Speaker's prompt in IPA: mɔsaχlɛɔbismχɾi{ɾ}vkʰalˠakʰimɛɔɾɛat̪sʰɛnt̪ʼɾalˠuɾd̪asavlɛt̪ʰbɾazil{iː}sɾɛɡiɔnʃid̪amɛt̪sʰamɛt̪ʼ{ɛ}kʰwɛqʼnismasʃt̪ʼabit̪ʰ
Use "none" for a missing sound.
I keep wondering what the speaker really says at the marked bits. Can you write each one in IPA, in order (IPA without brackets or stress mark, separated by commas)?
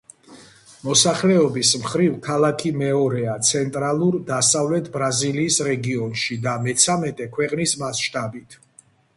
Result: none, iː, ɛ